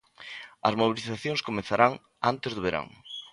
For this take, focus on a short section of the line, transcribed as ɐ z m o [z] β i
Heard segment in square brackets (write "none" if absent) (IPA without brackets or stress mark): none